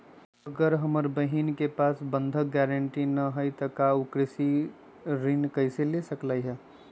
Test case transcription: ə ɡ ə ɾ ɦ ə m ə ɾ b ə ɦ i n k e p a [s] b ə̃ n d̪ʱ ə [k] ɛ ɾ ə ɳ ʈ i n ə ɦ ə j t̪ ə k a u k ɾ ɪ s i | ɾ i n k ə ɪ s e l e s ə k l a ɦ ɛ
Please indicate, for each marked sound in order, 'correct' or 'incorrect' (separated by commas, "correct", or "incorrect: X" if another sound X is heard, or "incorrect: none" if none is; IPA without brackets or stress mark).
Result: correct, incorrect: ɡ